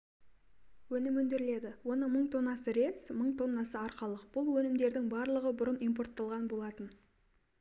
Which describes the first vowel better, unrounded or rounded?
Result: rounded